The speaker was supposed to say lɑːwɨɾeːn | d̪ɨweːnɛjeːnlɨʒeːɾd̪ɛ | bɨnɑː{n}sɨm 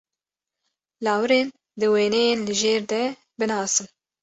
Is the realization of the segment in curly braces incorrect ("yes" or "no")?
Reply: yes